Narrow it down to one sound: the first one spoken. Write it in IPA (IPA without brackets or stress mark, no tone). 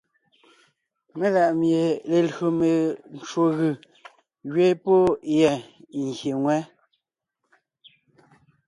m